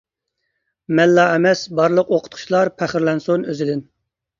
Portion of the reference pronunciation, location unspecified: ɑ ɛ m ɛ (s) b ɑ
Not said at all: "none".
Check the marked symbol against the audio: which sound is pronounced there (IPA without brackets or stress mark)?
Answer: s